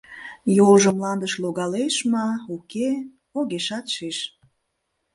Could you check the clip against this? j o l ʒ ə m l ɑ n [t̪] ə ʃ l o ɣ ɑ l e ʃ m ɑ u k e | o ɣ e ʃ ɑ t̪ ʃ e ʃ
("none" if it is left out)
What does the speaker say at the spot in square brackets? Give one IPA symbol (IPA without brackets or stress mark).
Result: d̪